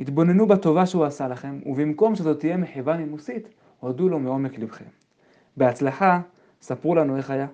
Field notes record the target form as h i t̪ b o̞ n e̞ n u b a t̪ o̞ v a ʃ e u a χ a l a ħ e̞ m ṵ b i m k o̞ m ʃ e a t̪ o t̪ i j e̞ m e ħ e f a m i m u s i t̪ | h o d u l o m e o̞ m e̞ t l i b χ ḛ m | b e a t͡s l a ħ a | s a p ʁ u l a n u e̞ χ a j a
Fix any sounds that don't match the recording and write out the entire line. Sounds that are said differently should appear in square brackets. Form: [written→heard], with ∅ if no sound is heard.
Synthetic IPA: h i t̪ b o̞ n e̞ n u b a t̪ o̞ v a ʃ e u a [χ→s] a l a [ħ→χ] e̞ m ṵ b i m k o̞ m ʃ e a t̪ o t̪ i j e̞ m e ħ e [f→v] a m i m u s i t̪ | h o d u l o m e o̞ m e̞ [t→k] l i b χ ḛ m | b e a t͡s l a ħ a | s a p ʁ u l a n u e̞ χ a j a